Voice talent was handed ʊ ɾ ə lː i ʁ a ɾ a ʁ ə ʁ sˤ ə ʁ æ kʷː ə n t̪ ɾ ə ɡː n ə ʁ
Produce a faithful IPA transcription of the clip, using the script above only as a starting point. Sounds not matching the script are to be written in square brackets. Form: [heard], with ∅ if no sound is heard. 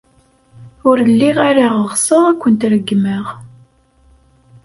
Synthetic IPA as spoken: ʊ ɾ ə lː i ʁ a ɾ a ʁ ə ʁ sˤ ə ʁ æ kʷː ə n t̪ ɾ ə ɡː [m] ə ʁ

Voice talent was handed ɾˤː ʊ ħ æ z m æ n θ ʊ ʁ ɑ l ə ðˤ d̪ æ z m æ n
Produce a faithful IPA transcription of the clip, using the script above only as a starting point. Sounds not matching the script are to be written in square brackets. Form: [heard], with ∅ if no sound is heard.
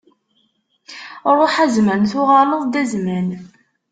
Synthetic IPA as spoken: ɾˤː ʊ ħ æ z m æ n θ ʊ ʁ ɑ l ə ðˤ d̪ æ z m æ n

